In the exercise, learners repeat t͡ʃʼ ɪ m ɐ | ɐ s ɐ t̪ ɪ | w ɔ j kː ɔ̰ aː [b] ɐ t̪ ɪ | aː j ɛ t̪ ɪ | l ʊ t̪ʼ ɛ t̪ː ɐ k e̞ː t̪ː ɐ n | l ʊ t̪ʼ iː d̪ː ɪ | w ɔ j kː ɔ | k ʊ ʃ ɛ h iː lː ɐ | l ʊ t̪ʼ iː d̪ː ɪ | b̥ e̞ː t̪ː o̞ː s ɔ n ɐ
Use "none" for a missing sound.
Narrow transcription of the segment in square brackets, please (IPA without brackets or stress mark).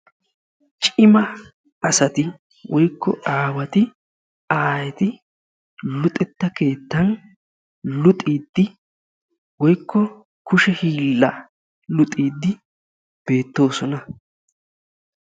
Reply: w